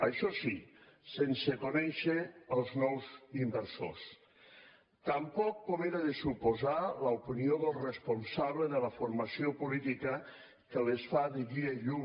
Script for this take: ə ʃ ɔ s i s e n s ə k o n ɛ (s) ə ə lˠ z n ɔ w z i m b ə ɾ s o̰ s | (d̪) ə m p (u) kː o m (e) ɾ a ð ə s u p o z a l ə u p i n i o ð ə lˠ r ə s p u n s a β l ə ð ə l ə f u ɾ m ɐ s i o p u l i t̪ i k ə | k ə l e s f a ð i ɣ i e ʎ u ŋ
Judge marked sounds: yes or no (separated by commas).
no, no, no, yes